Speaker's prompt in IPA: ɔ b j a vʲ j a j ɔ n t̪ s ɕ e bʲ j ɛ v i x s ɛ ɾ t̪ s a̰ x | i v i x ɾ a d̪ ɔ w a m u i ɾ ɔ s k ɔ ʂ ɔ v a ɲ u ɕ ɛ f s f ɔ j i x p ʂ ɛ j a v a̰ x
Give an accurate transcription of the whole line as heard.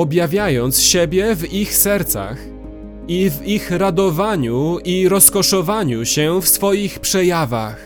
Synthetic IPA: ɔ b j a vʲ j a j ɔ n t̪ s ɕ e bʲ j ɛ v i x s ɛ ɾ t̪ s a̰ x | i v i x ɾ a d̪ ɔ v a ɲ u i ɾ ɔ s k ɔ ʂ ɔ v a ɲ u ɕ ɛ f s f ɔ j i x p ʂ ɛ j a v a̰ x